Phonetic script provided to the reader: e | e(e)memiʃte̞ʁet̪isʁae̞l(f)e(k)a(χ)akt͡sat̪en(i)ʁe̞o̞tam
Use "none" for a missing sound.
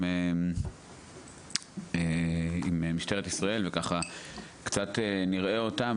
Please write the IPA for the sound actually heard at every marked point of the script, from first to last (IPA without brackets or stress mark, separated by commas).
i, v, k, χ, i